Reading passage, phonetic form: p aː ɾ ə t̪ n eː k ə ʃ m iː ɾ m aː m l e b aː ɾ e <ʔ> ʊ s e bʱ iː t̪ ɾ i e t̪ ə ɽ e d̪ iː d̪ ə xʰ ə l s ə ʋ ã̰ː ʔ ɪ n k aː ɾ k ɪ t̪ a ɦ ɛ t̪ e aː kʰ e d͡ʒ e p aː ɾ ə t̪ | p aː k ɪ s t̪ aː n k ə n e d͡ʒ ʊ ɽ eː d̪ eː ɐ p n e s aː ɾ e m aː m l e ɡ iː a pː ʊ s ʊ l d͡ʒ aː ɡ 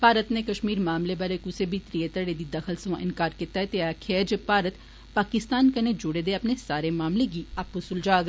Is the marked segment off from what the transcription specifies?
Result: yes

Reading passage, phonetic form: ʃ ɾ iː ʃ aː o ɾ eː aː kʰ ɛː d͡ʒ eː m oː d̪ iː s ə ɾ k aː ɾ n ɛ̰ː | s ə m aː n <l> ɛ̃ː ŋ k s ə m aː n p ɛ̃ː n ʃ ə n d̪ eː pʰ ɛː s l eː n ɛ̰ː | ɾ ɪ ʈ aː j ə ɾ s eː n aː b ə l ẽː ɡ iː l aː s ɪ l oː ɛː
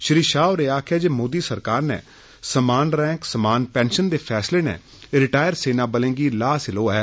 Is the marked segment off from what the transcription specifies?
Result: yes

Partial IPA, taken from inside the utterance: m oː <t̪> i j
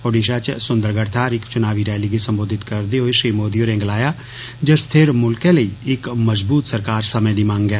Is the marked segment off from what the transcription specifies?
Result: yes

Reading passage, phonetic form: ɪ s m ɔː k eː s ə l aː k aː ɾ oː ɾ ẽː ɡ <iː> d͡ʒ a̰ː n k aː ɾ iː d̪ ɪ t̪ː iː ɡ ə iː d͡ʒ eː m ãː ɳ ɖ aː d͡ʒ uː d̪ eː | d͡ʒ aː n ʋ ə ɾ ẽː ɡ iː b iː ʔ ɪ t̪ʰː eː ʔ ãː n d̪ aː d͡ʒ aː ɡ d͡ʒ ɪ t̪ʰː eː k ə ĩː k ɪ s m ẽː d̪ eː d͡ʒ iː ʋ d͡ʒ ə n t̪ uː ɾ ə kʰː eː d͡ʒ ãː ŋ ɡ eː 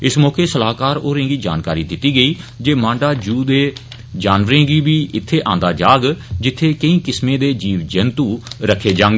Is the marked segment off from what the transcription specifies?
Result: no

